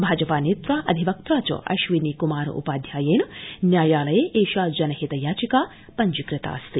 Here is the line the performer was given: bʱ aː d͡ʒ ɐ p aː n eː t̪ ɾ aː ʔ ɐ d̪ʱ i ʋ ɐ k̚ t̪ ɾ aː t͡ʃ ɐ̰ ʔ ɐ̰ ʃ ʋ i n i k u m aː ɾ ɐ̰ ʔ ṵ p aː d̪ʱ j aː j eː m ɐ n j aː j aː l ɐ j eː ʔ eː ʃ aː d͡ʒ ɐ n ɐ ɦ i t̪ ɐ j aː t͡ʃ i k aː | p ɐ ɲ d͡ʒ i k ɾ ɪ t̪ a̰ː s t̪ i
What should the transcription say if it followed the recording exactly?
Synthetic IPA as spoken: bʱ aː d͡ʒ ɐ p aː n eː t̪ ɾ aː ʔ ɐ d̪ʱ i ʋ ɐ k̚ t̪ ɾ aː t͡ʃ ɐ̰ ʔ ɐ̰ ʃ ʋ i n i k u m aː ɾ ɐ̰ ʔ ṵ p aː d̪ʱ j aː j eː n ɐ n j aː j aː l ɐ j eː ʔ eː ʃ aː d͡ʒ ɐ n ɐ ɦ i t̪ ɐ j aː t͡ʃ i k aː | p ɐ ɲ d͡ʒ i k ɾ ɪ t̪ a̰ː s t̪ i